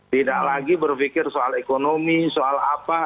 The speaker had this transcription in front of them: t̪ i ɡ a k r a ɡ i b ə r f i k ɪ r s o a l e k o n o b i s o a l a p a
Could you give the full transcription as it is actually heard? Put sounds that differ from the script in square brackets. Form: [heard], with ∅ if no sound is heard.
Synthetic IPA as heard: t̪ i [d] a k [l] a ɡ i b ə r f i k ɪ r s o a l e k o n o [m] i s o a l a p a

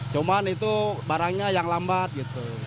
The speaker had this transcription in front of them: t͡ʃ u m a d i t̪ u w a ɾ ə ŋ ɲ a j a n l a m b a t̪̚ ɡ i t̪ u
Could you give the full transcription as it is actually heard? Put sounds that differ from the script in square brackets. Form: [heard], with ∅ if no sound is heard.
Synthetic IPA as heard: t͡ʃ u m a [n] i t̪ u [b] a ɾ [a] ŋ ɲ a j a [ŋ] l a m b a t̪̚ ɡ i t̪ u

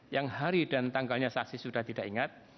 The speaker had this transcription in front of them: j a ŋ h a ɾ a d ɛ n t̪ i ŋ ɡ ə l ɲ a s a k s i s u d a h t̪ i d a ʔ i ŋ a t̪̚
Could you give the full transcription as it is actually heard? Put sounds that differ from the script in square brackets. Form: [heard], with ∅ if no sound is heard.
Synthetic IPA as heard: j a ŋ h a ɾ [i] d [a] n t̪ [a] ŋ ɡ [a] l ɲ a s a k s i s u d a h t̪ i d a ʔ i ŋ a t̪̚

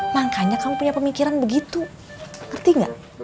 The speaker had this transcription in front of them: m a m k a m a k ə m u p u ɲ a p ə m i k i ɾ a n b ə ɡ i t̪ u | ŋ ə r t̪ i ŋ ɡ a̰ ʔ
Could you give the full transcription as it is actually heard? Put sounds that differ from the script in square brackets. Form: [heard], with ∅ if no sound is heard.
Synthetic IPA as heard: m a [ŋ] k a [ɲ] a k [a] m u p u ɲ a p ə m i k i ɾ a n b ə ɡ i t̪ u | ŋ ə r t̪ i ŋ ɡ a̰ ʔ

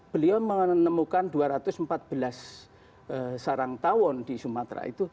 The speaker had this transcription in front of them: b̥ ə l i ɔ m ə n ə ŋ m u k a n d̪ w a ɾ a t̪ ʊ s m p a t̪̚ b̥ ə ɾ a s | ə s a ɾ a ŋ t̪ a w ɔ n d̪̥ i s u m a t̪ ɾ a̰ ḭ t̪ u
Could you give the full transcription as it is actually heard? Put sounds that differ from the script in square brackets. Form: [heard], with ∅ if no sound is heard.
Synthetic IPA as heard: b̥ ə l i ɔ m ə n ə [∅] m u k a n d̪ [u] a ɾ a t̪ ʊ s m p a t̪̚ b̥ ə [l] a s | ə s a ɾ a ŋ t̪ a w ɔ n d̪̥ i s u m a t̪ ɾ a̰ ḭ t̪ u

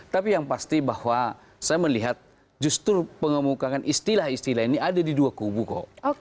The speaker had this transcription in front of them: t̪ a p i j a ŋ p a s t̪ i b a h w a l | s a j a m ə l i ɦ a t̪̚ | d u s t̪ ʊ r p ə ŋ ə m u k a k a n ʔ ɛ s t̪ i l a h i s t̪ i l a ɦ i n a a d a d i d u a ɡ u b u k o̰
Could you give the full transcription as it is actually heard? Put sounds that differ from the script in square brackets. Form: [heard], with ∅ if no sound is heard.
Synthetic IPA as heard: t̪ a p i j a ŋ p a s t̪ i b a h w a [∅] | s a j a m ə l i ɦ a t̪̚ | [d͡ʒ] u s t̪ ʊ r p ə ŋ ə m u k a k a n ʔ [i] s t̪ i l a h i s t̪ i l a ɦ i n [i] a d a d i d u a [k] u b u k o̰

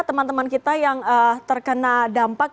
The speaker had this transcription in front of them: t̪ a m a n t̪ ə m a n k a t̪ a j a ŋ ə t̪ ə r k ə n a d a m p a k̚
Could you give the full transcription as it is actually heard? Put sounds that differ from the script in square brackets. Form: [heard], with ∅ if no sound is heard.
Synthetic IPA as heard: t̪ [ə] m a n t̪ ə m a n k [i] t̪ a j a ŋ ə t̪ ə r k ə n a d a m p a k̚

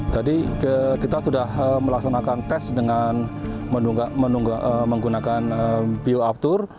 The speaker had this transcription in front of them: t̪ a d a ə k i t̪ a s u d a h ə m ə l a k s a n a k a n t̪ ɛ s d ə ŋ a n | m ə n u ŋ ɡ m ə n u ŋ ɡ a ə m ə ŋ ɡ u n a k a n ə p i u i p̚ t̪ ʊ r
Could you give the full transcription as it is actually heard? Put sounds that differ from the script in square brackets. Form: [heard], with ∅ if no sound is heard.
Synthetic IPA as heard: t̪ a d [i] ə k i t̪ a s u d a h ə m ə l a k s a n a k a n t̪ ɛ s d ə ŋ a n | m ə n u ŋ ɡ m ə n u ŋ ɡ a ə m ə ŋ ɡ u n a k a n ə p i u [a] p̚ t̪ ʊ r

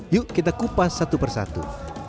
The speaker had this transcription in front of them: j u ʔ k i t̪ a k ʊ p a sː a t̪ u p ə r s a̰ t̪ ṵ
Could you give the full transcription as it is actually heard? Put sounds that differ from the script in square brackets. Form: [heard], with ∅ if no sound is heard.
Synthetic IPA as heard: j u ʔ k i t̪ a k [u] p a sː a t̪ u p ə r s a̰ t̪ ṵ

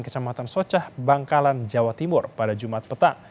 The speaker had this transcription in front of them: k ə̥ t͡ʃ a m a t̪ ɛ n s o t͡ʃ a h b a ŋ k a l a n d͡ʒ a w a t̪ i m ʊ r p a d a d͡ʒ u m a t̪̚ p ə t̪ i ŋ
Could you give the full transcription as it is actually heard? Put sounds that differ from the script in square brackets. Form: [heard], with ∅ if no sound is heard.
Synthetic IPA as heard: k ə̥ t͡ʃ a m a t̪ [a] n s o t͡ʃ a h b a ŋ k a l a n d͡ʒ a w a t̪ i m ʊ r p a d a d͡ʒ u m a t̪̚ p ə t̪ [a] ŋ

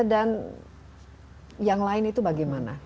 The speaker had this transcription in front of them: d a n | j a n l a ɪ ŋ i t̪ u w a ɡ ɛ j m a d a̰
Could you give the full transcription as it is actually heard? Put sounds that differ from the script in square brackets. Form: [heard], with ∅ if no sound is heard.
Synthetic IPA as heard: d a n | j a [ŋ] l a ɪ [n] i t̪ u [b] a ɡ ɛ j m a [n] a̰

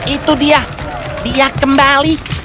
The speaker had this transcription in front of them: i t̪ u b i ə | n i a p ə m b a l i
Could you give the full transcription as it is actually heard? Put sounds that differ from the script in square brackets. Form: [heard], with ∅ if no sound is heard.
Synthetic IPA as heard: i t̪ u [d] i [a] | [d] i a [k] ə m b a l i

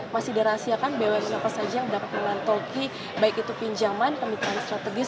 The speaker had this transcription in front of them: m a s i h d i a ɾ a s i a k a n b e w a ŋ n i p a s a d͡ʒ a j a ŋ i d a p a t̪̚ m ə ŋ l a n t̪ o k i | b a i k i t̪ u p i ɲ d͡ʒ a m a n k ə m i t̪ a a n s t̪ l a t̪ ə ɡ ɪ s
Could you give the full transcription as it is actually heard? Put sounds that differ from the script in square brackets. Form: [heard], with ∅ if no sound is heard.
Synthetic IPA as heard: m a s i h d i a ɾ a s i a k a n b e w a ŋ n [a] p a s a d͡ʒ a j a ŋ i d a p a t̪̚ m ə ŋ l a n t̪ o k i | b a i k i t̪ u p i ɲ d͡ʒ a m a n k ə m i t̪ a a n s t̪ [ɾ] a t̪ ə ɡ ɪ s

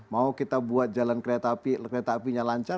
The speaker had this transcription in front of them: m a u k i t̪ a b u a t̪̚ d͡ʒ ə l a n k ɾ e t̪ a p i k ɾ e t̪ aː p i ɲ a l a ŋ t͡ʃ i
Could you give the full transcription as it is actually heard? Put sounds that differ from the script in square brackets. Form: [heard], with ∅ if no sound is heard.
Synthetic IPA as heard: m a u k i t̪ a b u a t̪̚ d͡ʒ [a] l a n k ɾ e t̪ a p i k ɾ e t̪ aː p i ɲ a l a [ɲ] t͡ʃ [a]

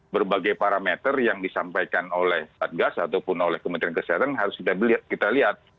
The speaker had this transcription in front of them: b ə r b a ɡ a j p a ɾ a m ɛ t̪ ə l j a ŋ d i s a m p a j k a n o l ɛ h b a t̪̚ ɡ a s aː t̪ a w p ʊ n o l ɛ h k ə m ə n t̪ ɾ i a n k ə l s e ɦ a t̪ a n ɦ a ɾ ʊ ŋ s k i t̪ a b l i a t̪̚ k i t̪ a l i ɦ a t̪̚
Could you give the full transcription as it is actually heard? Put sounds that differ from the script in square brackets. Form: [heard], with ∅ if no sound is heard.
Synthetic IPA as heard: b ə r b a ɡ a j p a ɾ a m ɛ t̪ ə [r] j a ŋ d i s a m p a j k a n o l ɛ h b a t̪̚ ɡ a s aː t̪ a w p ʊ n o l ɛ h k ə m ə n t̪ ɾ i a n k ə [∅] s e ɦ a t̪ a n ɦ a ɾ ʊ [∅] s k i t̪ a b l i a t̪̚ k i t̪ a l i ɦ a t̪̚

